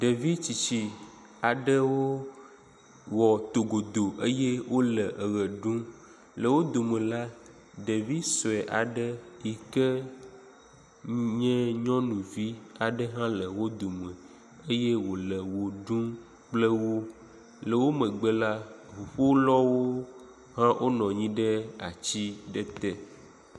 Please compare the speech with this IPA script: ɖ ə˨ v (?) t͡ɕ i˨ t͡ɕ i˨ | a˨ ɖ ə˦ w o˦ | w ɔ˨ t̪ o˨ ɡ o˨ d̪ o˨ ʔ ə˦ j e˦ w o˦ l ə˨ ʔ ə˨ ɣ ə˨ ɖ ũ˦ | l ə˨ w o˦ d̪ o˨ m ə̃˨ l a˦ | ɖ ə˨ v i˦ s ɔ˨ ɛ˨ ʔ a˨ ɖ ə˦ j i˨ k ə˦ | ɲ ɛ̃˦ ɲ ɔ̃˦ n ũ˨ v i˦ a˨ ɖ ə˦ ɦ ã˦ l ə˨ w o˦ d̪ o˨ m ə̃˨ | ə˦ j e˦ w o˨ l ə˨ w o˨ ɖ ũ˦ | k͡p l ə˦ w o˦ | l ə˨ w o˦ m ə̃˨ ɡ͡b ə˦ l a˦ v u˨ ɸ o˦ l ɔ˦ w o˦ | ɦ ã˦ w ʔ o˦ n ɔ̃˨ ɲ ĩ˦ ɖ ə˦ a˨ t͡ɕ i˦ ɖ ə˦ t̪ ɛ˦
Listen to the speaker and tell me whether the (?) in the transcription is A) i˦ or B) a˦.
A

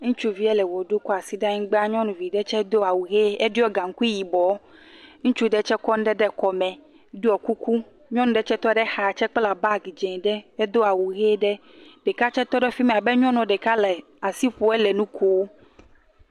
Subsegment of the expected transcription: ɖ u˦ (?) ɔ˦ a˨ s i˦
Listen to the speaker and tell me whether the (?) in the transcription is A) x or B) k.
B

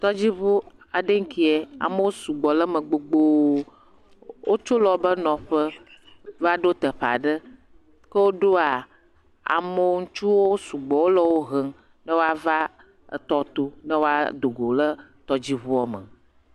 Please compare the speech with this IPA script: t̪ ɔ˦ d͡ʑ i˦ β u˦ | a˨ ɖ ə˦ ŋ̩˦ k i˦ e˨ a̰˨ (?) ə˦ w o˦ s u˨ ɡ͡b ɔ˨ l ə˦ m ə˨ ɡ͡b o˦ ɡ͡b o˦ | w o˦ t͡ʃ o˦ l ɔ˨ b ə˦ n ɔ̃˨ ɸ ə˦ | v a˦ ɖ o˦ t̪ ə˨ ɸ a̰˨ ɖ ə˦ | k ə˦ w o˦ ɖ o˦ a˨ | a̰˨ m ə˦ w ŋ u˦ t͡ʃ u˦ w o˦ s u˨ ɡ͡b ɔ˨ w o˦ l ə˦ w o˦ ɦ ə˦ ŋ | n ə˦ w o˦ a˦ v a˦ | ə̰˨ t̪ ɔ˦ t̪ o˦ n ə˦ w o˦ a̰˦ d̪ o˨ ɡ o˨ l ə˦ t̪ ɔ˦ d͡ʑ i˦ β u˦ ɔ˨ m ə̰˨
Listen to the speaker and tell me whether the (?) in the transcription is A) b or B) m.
B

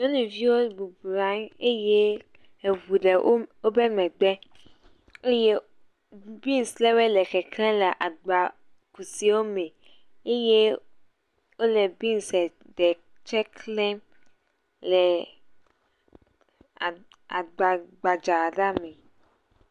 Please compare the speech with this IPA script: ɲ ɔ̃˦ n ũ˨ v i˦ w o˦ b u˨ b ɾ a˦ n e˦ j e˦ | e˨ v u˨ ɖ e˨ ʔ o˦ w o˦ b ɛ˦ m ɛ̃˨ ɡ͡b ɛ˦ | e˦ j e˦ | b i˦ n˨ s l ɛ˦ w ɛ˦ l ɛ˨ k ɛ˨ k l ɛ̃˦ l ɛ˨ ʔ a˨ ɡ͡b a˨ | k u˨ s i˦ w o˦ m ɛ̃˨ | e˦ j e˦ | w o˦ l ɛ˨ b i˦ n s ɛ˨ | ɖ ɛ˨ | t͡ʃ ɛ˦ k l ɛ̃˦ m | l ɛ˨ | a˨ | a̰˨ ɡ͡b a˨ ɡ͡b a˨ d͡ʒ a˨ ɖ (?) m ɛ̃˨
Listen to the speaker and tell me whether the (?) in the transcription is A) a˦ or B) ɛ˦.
A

